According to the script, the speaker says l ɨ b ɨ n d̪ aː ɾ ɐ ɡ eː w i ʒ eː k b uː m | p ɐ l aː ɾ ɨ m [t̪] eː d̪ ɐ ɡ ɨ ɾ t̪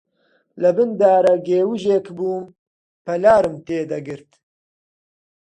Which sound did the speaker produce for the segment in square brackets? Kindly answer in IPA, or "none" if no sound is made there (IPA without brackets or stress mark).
t̪